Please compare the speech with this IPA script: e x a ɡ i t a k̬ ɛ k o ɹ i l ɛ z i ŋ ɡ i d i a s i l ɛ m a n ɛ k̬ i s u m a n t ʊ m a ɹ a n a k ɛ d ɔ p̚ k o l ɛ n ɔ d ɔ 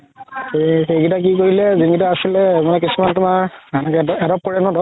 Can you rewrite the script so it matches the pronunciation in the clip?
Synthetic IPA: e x e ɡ i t a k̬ i k o ɹ i l ɛ z i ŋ ɡ i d a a s i l ɛ m a n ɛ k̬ i s u m a n t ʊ m a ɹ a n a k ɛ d ɔ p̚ k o ɹ ɛ n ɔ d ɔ